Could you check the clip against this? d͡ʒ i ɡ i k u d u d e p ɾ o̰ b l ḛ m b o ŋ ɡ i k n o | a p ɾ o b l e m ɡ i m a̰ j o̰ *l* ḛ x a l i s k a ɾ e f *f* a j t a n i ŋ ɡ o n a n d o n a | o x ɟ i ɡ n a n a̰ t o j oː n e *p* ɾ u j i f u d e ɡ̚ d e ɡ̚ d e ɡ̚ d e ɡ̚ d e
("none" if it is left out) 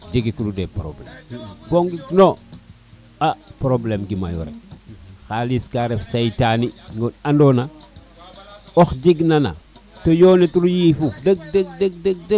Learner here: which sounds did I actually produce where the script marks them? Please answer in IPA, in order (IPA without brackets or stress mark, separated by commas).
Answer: ɾ, s, t